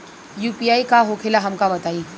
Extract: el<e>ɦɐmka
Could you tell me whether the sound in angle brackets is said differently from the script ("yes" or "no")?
yes